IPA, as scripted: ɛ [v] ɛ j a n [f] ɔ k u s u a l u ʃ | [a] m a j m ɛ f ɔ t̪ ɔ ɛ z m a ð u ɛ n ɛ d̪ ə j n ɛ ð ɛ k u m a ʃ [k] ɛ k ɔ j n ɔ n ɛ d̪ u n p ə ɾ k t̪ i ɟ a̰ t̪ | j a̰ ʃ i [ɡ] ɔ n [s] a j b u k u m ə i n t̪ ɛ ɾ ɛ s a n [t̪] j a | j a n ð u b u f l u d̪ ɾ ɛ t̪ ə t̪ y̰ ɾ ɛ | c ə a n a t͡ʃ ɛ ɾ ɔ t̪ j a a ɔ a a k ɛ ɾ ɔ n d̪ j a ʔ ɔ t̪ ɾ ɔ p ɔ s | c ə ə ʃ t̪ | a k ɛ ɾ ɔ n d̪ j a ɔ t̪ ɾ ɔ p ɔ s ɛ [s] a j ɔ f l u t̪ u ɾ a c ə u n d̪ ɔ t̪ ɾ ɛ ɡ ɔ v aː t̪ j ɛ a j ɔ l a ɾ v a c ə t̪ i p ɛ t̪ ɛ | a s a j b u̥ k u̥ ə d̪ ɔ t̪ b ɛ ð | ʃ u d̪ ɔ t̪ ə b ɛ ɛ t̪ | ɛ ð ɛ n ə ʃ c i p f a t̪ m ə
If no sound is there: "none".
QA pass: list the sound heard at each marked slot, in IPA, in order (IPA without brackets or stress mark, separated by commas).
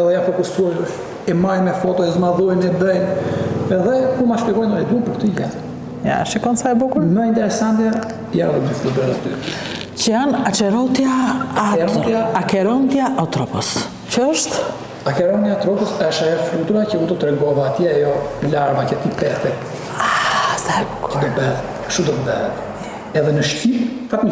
ð, f, ɛ, p, k, s, t̪, ʃ